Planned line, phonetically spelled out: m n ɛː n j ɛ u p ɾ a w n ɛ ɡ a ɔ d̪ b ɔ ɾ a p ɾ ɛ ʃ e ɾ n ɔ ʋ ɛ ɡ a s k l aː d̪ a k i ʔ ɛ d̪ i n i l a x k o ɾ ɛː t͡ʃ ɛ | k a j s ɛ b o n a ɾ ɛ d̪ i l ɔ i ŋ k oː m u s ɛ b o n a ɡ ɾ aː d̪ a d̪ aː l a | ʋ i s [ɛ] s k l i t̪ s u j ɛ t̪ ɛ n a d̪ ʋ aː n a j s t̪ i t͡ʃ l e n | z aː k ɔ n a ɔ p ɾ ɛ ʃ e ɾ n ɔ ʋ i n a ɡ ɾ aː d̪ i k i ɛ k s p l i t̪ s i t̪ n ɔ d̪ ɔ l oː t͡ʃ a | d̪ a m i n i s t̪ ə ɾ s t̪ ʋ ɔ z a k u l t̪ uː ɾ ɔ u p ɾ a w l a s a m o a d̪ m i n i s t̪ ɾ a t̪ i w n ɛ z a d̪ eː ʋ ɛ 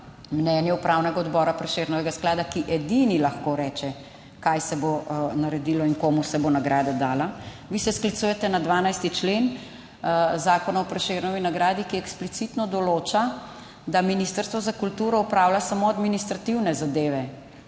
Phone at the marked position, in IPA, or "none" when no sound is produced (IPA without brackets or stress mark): ɛ